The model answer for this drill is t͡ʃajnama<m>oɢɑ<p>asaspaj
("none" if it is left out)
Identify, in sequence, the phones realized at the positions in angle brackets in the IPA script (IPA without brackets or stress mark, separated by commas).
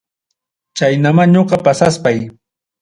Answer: ɲ, p